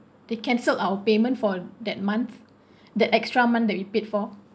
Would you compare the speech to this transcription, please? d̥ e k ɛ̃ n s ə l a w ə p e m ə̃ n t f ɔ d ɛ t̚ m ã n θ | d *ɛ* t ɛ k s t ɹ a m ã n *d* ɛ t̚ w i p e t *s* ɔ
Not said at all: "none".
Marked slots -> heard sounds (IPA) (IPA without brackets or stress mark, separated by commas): ɛ, d, f